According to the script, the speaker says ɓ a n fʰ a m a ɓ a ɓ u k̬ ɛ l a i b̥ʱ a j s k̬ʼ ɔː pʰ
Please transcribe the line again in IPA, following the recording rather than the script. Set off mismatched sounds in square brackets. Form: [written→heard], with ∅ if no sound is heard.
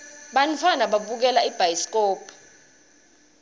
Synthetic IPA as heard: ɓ a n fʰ a [m→n] a ɓ a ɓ u k̬ ɛ l a i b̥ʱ a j s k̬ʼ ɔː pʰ